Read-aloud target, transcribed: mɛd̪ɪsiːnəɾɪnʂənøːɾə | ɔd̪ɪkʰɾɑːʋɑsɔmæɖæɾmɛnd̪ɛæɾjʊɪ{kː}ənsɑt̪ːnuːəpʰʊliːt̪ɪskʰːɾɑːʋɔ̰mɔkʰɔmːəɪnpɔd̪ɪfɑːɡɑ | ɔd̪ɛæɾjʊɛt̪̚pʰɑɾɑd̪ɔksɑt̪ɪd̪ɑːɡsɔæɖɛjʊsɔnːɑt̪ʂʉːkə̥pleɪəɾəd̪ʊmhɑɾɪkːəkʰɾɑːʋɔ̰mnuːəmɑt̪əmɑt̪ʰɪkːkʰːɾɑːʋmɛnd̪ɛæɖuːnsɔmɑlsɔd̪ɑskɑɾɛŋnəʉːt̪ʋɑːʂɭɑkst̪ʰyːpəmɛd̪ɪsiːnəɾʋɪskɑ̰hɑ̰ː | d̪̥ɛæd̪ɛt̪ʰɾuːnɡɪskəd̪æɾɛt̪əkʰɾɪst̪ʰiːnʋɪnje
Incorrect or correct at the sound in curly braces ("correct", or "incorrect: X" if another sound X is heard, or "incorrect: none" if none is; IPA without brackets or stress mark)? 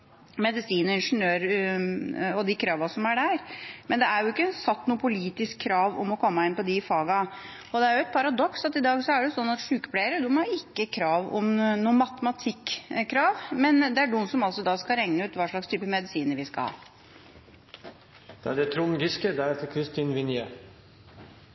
correct